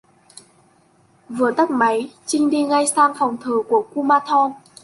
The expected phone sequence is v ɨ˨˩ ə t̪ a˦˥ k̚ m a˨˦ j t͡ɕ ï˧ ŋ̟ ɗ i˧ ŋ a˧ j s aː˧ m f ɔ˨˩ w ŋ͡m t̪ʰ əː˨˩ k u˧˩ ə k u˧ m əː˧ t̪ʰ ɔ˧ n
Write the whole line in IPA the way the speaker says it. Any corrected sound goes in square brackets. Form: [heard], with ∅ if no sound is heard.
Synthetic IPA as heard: v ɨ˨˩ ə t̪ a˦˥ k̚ m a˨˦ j t͡ɕ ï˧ ŋ̟ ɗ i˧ ŋ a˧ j s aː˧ [ŋ] f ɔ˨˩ w ŋ͡m t̪ʰ əː˨˩ k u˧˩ ə k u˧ m [aː˧] t̪ʰ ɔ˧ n